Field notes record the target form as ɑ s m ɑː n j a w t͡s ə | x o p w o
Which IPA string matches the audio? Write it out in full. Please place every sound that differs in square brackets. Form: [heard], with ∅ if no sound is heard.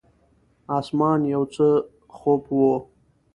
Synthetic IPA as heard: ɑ s m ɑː n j a w t͡s ə | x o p w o